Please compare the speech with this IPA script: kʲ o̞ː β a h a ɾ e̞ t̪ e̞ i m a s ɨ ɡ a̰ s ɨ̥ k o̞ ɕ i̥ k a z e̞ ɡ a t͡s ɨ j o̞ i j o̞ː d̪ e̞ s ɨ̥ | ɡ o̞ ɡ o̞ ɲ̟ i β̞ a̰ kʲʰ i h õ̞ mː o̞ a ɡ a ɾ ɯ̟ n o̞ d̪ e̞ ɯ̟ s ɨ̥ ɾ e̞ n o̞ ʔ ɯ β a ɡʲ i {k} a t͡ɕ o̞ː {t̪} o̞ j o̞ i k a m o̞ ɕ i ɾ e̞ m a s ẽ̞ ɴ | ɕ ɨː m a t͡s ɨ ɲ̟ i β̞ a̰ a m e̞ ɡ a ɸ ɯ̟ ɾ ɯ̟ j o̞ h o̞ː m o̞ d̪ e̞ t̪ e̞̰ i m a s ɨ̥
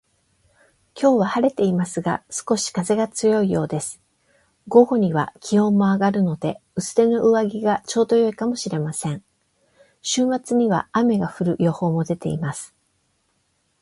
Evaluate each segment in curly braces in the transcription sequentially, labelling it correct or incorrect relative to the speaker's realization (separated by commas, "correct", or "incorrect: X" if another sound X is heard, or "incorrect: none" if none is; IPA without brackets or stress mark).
incorrect: ɡ, incorrect: d̪